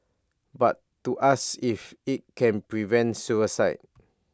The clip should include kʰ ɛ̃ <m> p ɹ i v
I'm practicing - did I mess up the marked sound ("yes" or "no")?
yes